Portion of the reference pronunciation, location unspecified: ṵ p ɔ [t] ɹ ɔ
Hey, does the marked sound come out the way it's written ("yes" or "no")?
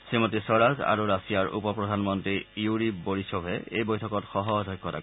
no